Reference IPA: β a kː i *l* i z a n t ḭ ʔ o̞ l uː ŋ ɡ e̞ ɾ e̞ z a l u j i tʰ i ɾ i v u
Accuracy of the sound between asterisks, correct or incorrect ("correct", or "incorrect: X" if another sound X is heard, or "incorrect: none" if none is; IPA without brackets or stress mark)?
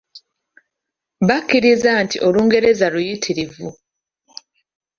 incorrect: ɾ